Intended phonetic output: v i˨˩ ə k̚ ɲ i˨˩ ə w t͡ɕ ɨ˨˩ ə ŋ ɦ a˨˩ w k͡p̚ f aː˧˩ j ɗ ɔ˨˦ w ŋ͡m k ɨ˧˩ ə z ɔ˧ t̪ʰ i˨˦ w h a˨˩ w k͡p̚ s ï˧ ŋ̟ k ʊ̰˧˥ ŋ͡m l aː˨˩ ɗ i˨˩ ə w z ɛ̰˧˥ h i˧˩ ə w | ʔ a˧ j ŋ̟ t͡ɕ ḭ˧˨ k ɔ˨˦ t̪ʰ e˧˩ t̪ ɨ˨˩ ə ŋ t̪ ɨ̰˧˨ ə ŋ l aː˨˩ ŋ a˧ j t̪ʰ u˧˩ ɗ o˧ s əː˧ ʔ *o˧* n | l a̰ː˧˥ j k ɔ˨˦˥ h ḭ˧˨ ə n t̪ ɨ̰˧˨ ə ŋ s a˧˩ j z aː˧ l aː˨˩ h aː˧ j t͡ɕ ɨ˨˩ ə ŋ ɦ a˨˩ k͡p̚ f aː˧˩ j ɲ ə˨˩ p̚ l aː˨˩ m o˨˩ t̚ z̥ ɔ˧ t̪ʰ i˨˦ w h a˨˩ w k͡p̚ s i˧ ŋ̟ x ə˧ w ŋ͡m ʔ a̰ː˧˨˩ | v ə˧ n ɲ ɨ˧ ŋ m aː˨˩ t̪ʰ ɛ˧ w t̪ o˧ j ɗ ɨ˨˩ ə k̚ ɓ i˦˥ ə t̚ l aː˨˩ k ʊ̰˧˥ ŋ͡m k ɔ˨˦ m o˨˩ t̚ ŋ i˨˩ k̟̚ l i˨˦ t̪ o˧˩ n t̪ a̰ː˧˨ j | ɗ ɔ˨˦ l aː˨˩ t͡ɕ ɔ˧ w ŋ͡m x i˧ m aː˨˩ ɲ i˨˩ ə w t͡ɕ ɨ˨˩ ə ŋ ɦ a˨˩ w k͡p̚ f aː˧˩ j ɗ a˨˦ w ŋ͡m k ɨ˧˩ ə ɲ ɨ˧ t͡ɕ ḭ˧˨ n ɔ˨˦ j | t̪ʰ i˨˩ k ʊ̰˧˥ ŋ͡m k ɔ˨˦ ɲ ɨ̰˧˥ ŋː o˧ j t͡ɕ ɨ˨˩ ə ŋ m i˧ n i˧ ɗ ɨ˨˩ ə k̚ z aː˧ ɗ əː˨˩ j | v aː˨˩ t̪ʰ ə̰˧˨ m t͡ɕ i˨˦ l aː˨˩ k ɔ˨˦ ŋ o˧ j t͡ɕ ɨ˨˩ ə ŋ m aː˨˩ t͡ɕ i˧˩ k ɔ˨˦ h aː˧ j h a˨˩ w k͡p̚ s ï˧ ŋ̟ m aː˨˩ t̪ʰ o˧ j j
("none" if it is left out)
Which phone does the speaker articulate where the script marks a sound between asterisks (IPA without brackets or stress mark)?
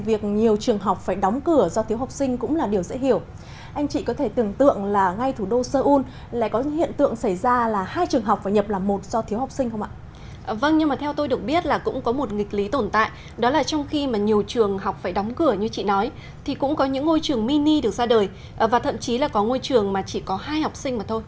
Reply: u˧